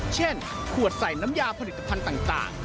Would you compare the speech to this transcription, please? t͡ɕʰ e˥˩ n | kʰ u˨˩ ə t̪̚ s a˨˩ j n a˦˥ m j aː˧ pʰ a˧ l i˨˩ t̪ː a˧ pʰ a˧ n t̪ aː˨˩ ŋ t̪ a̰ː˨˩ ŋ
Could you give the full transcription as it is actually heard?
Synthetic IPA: t͡ɕʰ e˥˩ n | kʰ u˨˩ ə t̪̚ s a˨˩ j n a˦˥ m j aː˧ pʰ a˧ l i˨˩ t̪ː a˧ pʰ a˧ n t̪ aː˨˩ ŋ t̪ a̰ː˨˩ ŋ

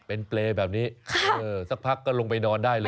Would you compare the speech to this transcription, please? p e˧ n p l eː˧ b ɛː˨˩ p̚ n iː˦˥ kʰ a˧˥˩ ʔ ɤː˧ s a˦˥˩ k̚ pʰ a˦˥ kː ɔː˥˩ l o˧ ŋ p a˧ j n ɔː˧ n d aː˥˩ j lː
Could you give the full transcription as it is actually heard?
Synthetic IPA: p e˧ n p l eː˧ b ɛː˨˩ p̚ n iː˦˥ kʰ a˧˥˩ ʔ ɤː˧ s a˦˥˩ k̚ pʰ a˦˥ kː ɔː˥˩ l o˧ ŋ p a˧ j n ɔː˧ n d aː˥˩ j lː

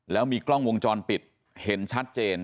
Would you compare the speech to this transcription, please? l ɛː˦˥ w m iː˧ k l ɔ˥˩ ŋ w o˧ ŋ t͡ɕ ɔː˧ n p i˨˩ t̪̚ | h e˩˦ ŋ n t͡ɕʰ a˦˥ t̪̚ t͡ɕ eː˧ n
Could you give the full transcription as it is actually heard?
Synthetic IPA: l ɛː˦˥ w m iː˧ k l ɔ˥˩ ŋ w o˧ ŋ t͡ɕ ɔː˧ n p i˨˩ t̪̚ | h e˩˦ n t͡ɕʰ a˦˥ t̪̚ t͡ɕ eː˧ n

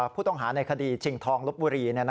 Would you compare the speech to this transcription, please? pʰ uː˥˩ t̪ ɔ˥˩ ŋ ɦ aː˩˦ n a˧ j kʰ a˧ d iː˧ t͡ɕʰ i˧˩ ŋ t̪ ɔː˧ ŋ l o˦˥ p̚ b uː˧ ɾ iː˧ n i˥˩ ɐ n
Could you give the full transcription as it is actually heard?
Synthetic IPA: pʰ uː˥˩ t̪ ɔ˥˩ ŋ ɦ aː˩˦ n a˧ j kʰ a˧ d iː˧ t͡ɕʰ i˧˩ ŋ t̪ʰ ɔː˧ ŋ l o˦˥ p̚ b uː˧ ɾ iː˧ n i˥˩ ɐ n

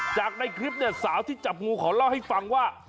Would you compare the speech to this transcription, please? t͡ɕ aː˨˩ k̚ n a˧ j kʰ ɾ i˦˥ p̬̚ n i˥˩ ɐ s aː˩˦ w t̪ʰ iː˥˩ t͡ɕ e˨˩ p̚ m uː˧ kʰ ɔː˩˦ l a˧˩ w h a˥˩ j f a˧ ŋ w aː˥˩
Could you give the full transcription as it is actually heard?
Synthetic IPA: t͡ɕ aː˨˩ k̚ n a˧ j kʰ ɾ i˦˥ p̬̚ n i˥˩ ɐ s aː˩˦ w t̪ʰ iː˥˩ t͡ɕ a˨˩ p̚ ŋ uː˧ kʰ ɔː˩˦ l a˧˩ w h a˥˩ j f a˧ ŋ w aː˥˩

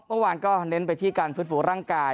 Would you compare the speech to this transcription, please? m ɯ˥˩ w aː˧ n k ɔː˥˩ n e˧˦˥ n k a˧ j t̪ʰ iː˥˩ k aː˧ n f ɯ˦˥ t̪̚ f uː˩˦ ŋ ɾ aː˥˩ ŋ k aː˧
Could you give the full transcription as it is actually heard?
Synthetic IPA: m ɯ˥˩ w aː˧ n k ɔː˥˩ n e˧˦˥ n p a˧ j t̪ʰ iː˥˩ k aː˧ n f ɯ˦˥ t̪̚ f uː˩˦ ɾ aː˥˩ ŋ k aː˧

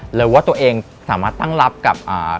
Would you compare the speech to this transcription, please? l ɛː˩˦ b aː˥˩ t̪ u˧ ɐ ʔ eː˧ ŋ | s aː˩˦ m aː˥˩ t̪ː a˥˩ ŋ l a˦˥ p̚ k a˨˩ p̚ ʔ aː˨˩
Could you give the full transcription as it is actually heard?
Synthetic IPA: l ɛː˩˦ w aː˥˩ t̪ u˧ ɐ ʔ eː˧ ŋ | s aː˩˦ m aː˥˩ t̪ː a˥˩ ŋ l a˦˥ p̚ k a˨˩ p̚ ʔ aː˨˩

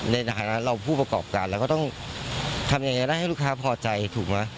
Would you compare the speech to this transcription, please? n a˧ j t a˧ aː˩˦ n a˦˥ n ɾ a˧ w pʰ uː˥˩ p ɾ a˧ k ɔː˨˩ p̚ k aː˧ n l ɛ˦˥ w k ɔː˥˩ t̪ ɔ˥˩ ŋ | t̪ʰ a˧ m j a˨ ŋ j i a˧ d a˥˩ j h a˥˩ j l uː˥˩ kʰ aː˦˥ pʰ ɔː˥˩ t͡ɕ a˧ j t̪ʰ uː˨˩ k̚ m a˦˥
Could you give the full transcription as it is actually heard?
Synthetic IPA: n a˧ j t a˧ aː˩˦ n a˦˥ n ɾ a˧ w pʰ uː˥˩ p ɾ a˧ k ɔː˨˩ p̚ k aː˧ n l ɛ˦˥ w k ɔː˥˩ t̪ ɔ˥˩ ŋ | t̪ʰ a˧ m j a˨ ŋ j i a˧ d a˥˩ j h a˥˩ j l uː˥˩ kʰ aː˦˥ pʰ ɔː˧ t͡ɕ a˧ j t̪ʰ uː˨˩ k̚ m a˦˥

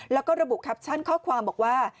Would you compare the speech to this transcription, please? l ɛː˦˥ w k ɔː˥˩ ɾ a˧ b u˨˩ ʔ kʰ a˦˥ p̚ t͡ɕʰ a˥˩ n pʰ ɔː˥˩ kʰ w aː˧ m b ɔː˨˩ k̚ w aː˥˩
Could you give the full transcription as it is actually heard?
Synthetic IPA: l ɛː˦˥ w k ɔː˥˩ ɾ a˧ b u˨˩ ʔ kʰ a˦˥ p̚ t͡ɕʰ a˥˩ n kʰ ɔː˥˩ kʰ w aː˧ m b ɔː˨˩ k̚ w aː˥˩

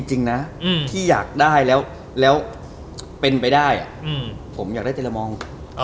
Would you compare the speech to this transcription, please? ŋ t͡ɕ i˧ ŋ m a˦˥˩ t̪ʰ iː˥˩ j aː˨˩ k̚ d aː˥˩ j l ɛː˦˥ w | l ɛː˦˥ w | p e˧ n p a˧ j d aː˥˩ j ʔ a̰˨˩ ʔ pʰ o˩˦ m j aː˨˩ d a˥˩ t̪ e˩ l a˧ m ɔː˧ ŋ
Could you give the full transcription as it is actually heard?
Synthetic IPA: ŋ t͡ɕ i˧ ŋ n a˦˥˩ t̪ʰ iː˥˩ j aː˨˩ k̚ d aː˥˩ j l ɛː˦˥ w | l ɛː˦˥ w | p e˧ n p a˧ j d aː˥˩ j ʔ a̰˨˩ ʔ pʰ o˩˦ m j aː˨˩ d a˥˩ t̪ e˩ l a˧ m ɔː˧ ŋ

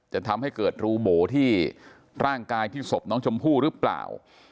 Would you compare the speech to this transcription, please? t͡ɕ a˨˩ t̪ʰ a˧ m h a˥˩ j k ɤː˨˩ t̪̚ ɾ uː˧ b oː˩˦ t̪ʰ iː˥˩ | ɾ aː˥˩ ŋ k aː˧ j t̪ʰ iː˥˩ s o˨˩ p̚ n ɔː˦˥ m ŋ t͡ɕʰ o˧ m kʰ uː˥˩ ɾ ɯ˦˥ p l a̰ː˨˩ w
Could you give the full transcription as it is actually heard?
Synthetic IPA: t͡ɕ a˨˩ t̪ʰ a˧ m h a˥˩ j k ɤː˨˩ t̪̚ ɾ uː˧ b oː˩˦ t̪ʰ iː˥˩ | ɾ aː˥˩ ŋ k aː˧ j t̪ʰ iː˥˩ s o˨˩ p̚ n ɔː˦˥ ŋ t͡ɕʰ o˧ m pʰ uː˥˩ ɾ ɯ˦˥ p l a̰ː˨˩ w

